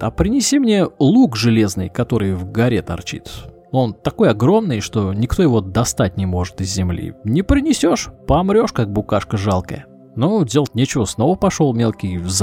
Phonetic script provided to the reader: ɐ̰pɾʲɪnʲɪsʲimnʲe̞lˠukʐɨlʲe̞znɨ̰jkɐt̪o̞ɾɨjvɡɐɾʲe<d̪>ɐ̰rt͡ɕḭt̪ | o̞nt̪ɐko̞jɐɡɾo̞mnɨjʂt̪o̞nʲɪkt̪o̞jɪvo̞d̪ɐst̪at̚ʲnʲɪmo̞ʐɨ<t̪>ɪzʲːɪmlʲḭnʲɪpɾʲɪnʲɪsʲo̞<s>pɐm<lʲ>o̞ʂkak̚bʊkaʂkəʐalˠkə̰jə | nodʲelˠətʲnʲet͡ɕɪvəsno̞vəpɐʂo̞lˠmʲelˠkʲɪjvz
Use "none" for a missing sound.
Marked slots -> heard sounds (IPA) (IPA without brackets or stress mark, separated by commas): t̪, t̪, ʂ, ɾʲ